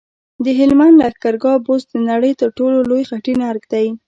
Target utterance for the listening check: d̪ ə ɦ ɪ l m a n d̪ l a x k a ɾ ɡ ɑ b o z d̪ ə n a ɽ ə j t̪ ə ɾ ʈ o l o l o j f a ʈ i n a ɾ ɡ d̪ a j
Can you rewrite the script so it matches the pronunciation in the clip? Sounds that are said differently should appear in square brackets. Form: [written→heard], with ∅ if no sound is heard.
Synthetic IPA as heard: d̪ ə ɦ ɪ l m a n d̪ l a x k a ɾ ɡ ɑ b o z d̪ ə n a ɽ ə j t̪ ə ɾ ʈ o l o l o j [f→x] a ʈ i n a ɾ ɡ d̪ a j

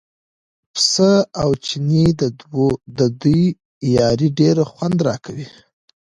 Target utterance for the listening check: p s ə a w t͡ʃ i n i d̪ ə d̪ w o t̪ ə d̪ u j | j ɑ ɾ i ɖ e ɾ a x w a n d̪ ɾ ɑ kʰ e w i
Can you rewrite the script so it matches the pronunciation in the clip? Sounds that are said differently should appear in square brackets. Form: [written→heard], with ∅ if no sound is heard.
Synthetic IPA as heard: p s ə a w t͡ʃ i n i d̪ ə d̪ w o [t̪→d̪] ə d̪ u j | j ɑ ɾ i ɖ e ɾ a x w a n d̪ ɾ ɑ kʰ [e→a] w i

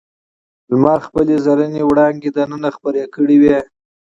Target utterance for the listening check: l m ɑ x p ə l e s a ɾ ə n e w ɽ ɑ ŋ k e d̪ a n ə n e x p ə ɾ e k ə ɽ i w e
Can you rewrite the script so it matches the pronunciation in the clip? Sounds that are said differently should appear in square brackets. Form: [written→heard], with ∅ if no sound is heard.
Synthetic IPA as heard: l m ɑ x p ə l e [s→z] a ɾ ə n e w ɽ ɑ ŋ [k→ɡ] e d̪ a n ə n [e→a] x p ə ɾ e k ə ɽ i w e

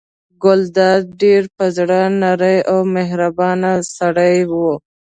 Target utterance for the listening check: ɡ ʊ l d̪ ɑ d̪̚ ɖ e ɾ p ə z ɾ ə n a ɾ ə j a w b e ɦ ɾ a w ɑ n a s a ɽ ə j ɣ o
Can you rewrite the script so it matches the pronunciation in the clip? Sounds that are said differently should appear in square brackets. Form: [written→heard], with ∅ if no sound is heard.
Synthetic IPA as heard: ɡ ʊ l d̪ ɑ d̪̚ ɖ e ɾ p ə z [ɾ→ɽ] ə n a ɾ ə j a w [b→m] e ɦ ɾ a [w→b] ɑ n a s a ɽ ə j [ɣ→w] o

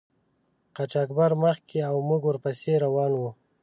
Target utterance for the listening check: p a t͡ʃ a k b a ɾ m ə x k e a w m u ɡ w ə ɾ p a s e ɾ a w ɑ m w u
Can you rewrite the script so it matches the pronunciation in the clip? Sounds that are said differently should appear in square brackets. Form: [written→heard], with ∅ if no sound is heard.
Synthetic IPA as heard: [p→q] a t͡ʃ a k b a ɾ m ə x k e a w m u ɡ w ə ɾ p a s e ɾ a w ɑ [m→n] w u

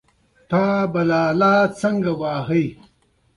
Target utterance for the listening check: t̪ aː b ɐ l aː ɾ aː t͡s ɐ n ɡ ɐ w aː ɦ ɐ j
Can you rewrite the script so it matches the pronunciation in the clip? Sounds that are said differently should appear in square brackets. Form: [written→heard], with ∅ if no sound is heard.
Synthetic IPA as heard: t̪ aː b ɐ l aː [ɾ→l] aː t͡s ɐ [n→ŋ] ɡ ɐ w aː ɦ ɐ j

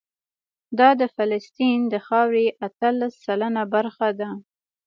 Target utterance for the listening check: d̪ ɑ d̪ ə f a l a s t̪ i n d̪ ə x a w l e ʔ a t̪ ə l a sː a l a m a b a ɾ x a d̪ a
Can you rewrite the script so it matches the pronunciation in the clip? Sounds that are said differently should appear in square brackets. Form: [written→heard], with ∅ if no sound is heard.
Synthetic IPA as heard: d̪ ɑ d̪ ə f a l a s t̪ i n d̪ ə x [a→ɑ] w [l→ɾ] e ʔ a t̪ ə l a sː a l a [m→n] a b a ɾ x a d̪ a

